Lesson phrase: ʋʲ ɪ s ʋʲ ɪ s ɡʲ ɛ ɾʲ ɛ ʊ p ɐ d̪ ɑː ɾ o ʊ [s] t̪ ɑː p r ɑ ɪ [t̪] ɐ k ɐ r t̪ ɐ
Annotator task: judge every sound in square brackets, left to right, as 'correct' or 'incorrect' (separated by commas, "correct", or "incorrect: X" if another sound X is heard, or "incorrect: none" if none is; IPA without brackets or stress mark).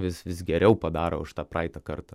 incorrect: ʃ, correct